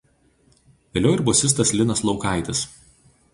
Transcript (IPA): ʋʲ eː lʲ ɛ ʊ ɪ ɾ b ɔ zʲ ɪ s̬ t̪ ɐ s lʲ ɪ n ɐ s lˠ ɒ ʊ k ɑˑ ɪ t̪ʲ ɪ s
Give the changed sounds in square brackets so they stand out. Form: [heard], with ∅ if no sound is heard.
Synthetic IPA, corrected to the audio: ʋʲ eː lʲ ɛ ʊ ɪ ɾ b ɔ [sʲ] ɪ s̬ t̪ ɐ s lʲ ɪ n ɐ s lˠ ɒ ʊ k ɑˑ ɪ t̪ʲ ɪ s